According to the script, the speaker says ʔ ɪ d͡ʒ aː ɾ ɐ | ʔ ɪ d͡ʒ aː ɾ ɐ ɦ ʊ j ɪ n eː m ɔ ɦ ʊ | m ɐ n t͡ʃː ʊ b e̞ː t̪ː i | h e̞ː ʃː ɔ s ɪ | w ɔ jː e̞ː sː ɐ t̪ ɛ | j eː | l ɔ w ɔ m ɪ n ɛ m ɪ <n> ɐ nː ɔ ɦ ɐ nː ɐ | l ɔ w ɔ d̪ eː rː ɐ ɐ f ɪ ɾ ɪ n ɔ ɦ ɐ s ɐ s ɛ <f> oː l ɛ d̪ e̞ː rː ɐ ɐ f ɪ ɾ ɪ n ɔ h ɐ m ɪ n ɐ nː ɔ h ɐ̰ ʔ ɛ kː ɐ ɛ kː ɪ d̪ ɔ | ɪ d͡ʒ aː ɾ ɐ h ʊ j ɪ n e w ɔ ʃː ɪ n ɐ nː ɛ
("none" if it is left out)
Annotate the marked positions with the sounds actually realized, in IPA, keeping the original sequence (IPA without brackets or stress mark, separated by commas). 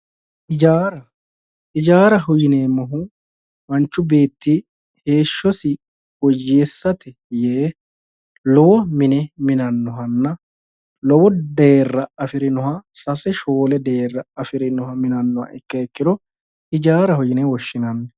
n, ʃ